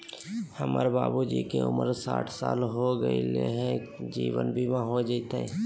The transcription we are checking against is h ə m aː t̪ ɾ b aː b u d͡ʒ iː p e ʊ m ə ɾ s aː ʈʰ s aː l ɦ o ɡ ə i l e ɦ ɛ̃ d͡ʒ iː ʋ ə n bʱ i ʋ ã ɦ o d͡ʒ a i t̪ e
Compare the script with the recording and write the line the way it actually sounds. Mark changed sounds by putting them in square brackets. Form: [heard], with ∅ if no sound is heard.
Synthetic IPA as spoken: h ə m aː [∅] ɾ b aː b u d͡ʒ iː [k] e ʊ m ə ɾ s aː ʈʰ s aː l ɦ o ɡ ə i l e ɦ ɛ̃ d͡ʒ iː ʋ ə n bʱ i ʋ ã ɦ o d͡ʒ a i t̪ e